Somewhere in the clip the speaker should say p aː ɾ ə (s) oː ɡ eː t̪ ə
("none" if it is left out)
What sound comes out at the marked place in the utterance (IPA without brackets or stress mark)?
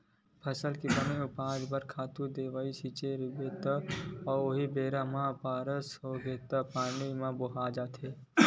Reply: s